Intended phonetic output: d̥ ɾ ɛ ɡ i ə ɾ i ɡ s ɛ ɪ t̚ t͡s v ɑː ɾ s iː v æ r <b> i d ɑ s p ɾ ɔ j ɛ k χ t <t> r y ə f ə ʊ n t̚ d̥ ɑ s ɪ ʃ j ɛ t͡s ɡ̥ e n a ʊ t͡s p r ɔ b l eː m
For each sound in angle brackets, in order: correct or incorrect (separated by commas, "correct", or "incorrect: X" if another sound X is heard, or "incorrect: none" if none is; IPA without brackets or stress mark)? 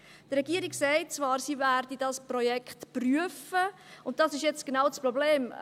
incorrect: d, incorrect: p